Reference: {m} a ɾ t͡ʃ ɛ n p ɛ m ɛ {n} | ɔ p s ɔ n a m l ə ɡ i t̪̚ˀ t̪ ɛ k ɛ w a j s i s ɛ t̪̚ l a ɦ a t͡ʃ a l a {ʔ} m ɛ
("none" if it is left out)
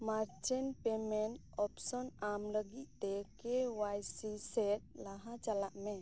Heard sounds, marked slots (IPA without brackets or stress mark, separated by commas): m, n, ʔ